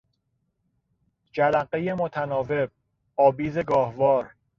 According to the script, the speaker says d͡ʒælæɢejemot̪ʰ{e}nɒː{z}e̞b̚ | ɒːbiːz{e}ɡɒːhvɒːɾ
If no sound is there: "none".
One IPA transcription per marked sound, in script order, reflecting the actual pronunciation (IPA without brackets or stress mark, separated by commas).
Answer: æ, v, e